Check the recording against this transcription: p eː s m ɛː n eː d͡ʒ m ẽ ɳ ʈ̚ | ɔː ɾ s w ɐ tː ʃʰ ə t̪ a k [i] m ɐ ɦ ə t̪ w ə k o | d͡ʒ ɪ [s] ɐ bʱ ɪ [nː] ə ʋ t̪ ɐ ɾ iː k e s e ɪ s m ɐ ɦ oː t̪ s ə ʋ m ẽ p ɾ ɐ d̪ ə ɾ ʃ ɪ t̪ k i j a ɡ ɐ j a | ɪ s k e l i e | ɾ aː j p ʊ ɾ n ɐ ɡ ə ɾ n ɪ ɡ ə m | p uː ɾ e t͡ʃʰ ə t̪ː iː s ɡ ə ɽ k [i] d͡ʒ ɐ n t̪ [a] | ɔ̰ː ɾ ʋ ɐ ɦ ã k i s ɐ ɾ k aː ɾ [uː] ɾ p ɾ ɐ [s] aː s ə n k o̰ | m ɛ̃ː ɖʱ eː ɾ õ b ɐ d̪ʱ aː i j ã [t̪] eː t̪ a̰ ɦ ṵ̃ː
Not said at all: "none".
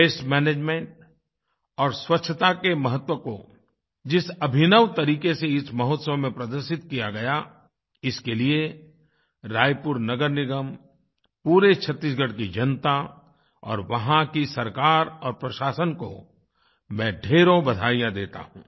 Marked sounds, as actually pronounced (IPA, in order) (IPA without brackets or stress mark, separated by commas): e, s, n, i, a, ɔː, ʃ, d̪